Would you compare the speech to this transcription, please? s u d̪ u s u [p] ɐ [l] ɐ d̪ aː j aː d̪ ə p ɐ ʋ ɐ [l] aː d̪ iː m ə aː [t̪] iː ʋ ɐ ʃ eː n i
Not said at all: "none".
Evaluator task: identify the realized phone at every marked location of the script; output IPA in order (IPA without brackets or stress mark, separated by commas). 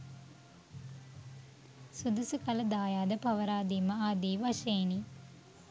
k, l, ɾ, d̪